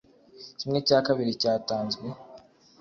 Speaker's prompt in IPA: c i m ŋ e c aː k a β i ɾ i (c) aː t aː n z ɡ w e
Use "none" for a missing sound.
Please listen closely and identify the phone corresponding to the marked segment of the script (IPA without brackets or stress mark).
c